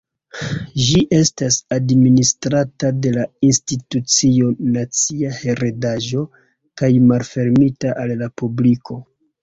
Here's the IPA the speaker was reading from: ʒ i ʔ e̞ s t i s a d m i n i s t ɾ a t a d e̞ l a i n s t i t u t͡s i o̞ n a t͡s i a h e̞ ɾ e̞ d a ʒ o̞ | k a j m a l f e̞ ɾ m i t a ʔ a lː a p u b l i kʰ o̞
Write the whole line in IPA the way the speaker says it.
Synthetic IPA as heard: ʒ i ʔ e̞ s t a s a d m i n i s t ɾ a t a d e̞ l a i n s t i t u t͡s i o̞ n a t͡s i a h e̞ ɾ e̞ d a ʒ o̞ | k a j m a l f e̞ ɾ m i t a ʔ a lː a p u b l i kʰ o̞